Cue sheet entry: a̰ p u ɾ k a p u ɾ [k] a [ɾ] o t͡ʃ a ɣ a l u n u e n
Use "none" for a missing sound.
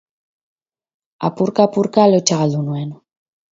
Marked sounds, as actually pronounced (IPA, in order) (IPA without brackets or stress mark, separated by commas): k, l